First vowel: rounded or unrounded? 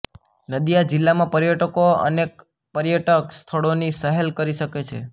unrounded